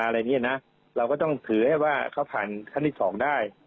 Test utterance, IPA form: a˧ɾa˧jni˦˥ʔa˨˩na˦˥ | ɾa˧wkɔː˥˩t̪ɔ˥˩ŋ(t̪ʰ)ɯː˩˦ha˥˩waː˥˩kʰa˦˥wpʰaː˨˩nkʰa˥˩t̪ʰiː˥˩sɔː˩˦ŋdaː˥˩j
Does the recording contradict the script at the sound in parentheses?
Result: no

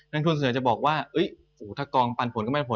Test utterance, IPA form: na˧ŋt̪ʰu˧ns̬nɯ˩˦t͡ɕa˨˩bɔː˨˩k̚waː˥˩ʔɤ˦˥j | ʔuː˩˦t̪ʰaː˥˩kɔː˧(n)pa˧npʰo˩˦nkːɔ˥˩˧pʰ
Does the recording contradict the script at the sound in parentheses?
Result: yes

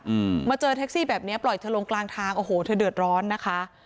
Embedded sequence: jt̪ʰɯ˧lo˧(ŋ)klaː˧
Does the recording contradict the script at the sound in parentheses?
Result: no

